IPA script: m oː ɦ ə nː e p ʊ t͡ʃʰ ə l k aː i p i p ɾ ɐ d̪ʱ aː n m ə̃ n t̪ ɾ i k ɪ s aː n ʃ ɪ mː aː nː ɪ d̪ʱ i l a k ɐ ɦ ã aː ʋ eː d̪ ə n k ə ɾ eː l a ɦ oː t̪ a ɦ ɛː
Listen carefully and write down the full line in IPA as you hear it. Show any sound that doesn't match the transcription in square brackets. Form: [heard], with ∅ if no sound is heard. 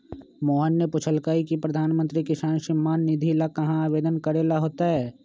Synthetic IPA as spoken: m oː ɦ ə nː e p ʊ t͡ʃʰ ə l k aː i [k] i p ɾ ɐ d̪ʱ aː n m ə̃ n t̪ ɾ i k ɪ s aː n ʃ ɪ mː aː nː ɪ d̪ʱ i l a k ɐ ɦ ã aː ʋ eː d̪ ə n k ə ɾ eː l a ɦ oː t̪ a ɦ ɛː